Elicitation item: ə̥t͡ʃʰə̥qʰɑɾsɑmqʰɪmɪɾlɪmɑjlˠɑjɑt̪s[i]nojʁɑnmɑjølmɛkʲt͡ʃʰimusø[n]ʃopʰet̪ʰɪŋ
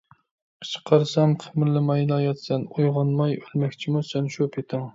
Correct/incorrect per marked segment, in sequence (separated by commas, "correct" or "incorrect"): incorrect, correct